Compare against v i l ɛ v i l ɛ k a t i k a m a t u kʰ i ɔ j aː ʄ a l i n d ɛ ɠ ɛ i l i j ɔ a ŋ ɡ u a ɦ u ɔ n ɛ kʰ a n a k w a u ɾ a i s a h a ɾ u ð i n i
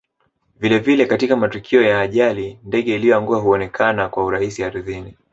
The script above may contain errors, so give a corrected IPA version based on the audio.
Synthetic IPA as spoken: v i l ɛ v i l ɛ k a t i k a m a t u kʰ i ɔ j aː ʄ a l i n d ɛ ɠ ɛ i l i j ɔ a ŋ ɡ u a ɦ u ɔ n ɛ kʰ a n a k w a u ɾ a i s i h a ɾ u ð i n i